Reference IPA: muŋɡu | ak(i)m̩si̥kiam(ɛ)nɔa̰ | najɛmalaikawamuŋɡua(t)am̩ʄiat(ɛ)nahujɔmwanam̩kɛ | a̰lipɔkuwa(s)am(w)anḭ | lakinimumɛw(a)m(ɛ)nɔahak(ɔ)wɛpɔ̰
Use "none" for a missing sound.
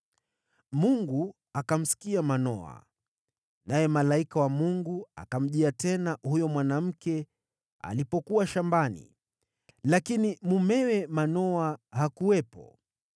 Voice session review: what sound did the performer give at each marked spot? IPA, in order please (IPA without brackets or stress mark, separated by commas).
a, a, k, ɛ, ʃ, b, ɛ, a, u